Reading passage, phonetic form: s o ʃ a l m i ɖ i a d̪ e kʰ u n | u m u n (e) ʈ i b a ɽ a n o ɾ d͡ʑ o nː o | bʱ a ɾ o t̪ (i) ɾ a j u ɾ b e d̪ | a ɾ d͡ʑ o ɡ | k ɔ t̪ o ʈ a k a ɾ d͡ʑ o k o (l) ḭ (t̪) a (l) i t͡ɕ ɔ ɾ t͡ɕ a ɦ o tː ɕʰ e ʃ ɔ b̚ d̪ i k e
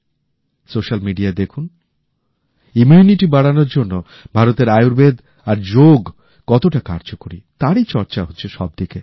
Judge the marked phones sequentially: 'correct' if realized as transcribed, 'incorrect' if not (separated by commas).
incorrect, incorrect, incorrect, correct, incorrect